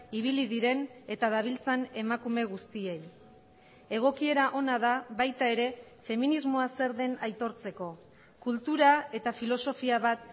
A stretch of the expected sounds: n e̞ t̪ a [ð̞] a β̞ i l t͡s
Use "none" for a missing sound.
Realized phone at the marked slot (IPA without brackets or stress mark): ð̞